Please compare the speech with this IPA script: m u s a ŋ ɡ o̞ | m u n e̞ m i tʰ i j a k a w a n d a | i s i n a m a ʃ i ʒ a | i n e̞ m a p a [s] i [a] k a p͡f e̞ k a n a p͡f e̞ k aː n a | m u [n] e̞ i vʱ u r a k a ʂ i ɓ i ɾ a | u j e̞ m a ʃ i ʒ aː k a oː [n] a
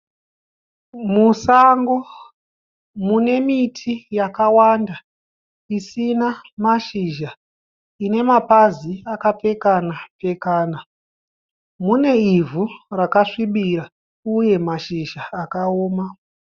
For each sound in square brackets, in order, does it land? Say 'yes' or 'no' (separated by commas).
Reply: no, yes, yes, no